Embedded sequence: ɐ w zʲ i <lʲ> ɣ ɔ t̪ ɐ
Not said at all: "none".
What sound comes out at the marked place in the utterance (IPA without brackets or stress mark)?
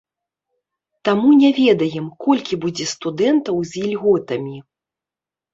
lʲ